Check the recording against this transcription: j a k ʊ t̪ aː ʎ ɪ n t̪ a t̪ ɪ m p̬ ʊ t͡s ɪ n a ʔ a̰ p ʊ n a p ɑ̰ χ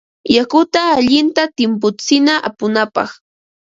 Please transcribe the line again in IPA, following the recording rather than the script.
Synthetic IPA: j a k ʊ t̪ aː ʎ ɪ n t̪ a t̪ ɪ m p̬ ʊ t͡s ɪ n a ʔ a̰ p ʊ n a p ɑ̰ χ